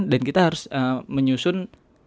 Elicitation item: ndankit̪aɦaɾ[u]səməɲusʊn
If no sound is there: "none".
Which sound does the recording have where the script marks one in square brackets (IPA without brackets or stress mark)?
ʊ